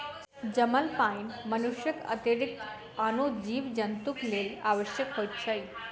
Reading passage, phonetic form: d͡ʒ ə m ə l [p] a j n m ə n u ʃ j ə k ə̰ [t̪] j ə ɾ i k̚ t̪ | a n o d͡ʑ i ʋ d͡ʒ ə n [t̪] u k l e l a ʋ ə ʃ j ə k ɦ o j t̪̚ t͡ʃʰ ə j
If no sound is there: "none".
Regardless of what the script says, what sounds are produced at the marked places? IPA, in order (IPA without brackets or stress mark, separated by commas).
p, t̪, t̪